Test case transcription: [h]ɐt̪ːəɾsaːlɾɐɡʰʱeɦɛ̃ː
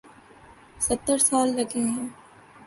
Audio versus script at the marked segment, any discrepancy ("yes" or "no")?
yes